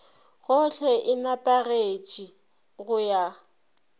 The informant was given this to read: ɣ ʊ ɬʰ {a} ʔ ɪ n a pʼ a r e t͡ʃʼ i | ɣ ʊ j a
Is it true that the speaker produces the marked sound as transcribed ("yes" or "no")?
no